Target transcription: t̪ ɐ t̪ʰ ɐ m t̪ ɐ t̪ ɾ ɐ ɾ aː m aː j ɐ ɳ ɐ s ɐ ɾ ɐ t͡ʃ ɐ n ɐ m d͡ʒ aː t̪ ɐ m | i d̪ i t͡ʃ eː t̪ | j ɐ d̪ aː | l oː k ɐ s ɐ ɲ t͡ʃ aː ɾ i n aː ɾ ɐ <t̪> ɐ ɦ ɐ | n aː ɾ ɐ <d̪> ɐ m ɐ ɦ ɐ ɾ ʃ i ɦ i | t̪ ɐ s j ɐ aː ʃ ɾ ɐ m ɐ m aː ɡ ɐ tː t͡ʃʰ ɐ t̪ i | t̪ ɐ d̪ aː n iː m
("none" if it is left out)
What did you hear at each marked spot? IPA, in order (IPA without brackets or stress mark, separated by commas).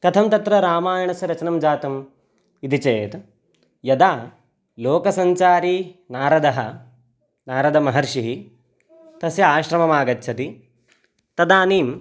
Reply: d̪, d̪